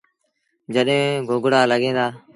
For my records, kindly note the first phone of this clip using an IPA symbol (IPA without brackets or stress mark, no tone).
d͡ʒ